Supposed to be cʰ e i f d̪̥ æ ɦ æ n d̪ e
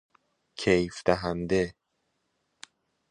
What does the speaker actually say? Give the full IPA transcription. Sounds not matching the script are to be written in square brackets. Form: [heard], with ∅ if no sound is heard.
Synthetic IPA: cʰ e [j] f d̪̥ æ ɦ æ n d̪ e